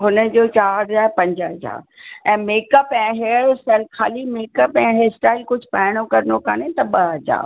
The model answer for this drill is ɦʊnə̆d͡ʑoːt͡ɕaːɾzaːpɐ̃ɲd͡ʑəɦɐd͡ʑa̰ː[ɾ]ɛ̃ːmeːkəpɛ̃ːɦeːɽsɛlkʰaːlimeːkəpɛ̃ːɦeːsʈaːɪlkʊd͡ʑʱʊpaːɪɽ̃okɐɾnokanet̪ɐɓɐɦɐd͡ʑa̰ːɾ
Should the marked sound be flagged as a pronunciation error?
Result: no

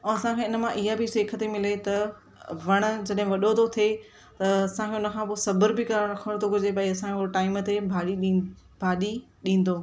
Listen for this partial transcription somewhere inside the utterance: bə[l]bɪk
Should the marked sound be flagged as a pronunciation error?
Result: yes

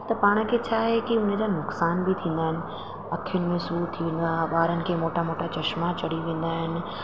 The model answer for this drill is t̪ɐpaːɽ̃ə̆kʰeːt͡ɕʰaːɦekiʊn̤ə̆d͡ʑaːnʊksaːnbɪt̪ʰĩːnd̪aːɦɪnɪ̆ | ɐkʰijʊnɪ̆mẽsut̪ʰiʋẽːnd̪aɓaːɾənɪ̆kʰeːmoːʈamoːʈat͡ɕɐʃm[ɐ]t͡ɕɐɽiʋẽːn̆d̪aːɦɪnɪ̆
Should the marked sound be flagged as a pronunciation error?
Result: yes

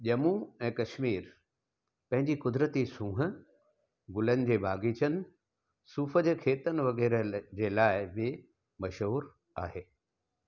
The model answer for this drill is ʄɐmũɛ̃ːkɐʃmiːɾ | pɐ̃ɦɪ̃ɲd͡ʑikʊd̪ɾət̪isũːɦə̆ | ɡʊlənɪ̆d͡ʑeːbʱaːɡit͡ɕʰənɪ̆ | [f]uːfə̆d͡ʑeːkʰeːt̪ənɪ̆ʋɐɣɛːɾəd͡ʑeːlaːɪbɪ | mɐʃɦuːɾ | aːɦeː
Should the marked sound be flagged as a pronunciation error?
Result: yes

